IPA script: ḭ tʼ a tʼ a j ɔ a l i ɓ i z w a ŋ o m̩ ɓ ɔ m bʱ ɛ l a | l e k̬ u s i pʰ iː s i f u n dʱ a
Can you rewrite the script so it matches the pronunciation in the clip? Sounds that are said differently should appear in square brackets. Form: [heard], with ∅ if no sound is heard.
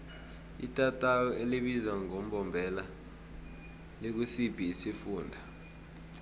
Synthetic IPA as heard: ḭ tʼ a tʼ a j ɔ [e] l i ɓ i z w a ŋ o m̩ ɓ ɔ m bʱ ɛ l a | l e k̬ u s i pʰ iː s i f [uː] n dʱ a